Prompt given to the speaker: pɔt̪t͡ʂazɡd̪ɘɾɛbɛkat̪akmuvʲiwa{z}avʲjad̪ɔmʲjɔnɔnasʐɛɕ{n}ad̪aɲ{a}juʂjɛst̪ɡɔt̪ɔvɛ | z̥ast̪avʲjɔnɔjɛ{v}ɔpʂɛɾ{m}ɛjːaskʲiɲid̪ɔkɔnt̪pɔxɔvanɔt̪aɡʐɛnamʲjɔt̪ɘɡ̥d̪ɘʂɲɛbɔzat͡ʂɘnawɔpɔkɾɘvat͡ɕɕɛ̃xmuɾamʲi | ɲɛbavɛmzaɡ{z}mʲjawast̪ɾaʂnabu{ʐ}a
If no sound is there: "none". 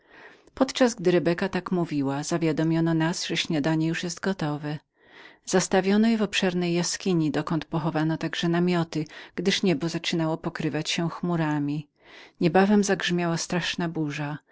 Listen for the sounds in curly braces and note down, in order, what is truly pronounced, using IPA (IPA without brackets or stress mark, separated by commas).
z, ɲ, ɛ, v, n, ʐ, ʐ